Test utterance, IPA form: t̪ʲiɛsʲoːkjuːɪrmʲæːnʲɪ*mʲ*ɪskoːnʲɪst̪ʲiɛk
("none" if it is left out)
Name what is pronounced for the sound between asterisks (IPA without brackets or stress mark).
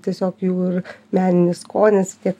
nʲ